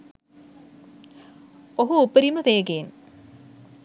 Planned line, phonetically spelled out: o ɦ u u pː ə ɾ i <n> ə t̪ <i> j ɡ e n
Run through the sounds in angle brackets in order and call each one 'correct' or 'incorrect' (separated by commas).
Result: incorrect, incorrect